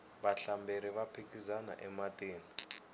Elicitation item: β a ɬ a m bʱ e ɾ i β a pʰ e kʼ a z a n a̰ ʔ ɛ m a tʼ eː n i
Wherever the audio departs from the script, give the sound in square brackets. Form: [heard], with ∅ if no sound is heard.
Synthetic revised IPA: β a ɬ a m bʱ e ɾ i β a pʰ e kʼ [i] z a n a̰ ʔ ɛ m a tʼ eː n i